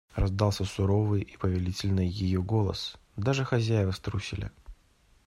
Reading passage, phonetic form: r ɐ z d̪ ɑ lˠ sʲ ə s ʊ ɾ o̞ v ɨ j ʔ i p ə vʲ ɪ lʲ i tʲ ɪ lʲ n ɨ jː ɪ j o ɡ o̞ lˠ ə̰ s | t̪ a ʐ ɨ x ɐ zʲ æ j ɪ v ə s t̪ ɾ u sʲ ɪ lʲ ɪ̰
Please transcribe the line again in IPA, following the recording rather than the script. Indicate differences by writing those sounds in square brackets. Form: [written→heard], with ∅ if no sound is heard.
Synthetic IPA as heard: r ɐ z d̪ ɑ lˠ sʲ ə s ʊ ɾ o̞ v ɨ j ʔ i p ə vʲ ɪ lʲ i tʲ ɪ lʲ n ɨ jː ɪ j o ɡ o̞ lˠ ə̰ s | [t̪→d̪] a ʐ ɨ x ɐ zʲ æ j ɪ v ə s t̪ ɾ u sʲ ɪ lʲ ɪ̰